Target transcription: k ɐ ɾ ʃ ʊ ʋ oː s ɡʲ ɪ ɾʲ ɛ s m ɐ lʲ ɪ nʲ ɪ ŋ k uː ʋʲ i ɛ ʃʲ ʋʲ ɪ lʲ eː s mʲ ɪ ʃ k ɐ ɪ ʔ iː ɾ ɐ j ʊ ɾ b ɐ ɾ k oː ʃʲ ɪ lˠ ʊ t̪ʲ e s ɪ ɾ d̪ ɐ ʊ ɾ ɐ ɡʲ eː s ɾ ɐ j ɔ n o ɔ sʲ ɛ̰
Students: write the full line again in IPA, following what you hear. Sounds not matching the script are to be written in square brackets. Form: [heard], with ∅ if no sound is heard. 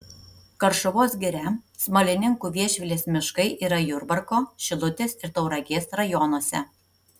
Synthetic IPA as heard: k ɐ ɾ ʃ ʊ ʋ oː s ɡʲ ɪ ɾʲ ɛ s m ɐ lʲ ɪ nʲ ɪ ŋ k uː ʋʲ i ɛ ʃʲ ʋʲ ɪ lʲ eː s mʲ ɪ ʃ k ɐ ɪ ʔ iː ɾ ɐ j ʊ ɾ b ɐ ɾ k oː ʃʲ ɪ lˠ ʊ t̪ʲ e s ɪ ɾ [t̪] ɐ ʊ ɾ ɐ ɡʲ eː s ɾ ɐ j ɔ n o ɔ sʲ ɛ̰